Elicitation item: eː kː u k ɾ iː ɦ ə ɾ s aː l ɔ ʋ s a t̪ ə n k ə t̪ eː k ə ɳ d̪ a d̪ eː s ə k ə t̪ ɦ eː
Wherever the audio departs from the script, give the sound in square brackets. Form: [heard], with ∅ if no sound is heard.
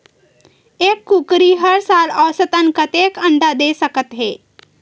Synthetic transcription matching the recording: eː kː u k ɾ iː ɦ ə ɾ s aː l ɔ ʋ s [ə] t̪ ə n k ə t̪ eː k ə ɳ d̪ a d̪ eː s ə k ə t̪ ɦ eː